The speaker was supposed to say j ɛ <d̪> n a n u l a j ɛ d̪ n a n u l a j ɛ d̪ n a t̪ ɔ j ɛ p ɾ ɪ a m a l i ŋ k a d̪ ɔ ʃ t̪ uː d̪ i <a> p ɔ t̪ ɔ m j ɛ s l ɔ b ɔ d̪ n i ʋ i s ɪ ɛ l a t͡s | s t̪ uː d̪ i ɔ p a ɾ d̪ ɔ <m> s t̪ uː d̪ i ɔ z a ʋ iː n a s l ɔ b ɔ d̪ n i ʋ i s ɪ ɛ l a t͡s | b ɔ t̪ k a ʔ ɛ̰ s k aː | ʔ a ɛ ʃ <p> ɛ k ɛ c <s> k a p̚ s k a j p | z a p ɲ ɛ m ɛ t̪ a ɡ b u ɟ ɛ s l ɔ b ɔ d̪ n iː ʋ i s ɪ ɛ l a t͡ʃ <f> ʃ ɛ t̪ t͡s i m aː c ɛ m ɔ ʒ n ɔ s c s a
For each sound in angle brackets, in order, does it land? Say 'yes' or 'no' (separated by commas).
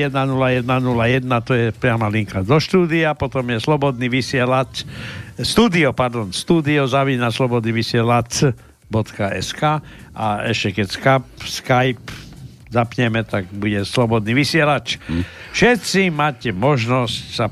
yes, yes, no, no, yes, yes